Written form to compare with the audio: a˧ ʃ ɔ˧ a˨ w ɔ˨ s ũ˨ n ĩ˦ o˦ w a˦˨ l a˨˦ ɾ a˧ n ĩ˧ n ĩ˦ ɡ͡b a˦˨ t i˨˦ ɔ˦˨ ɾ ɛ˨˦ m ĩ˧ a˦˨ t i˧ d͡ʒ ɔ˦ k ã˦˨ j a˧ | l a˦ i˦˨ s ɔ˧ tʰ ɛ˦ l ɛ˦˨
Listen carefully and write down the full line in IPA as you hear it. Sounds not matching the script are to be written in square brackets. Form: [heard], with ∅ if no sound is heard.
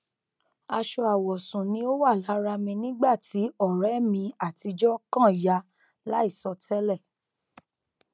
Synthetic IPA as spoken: a˧ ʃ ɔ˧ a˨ w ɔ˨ s ũ˨ n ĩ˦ o˦ w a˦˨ l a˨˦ ɾ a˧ [m] ĩ˧ n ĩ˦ ɡ͡b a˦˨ t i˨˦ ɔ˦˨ ɾ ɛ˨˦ m ĩ˧ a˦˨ t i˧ d͡ʒ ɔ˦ k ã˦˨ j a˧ | l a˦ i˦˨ s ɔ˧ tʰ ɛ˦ l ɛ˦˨